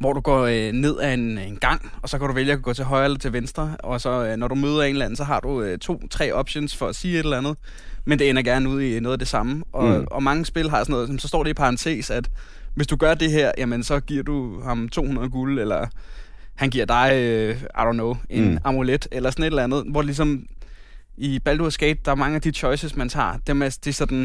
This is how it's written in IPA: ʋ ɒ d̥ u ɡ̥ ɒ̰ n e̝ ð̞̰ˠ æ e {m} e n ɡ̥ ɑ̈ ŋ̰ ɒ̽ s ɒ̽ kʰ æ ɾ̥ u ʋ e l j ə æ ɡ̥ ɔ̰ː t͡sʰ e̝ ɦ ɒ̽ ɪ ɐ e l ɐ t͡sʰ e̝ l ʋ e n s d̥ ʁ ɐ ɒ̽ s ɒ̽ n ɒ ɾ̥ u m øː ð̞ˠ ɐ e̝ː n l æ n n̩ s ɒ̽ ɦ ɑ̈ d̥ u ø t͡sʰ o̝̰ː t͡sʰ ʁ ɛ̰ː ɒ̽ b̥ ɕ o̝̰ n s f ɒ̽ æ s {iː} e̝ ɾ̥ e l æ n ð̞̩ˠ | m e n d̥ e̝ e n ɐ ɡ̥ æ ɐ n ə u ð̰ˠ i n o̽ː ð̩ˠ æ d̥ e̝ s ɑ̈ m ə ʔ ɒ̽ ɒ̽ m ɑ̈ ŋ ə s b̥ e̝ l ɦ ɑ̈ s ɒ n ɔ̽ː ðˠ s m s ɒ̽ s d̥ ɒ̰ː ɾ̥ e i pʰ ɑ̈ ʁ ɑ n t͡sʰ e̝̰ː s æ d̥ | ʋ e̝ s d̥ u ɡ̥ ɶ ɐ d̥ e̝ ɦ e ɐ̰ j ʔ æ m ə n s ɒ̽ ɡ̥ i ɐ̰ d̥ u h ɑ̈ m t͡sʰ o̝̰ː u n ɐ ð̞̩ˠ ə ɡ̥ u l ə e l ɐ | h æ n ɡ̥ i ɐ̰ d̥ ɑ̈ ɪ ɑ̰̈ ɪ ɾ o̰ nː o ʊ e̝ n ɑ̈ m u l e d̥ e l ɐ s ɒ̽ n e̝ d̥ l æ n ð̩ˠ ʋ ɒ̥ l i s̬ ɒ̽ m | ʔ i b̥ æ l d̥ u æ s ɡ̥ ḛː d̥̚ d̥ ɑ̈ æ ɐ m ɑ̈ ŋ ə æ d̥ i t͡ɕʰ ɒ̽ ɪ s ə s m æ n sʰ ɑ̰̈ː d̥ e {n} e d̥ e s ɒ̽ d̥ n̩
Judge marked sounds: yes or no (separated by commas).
no, yes, no